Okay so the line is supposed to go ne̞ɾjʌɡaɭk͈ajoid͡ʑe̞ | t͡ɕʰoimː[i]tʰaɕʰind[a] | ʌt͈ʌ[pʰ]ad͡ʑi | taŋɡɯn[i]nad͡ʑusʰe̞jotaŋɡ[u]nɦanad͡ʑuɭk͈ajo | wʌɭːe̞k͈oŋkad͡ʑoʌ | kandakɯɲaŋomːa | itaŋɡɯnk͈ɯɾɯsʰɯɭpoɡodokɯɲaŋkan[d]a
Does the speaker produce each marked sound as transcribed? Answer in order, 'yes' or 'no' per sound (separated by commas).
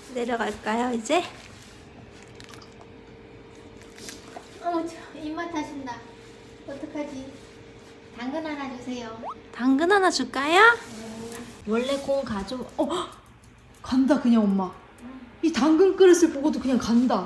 no, yes, no, no, no, yes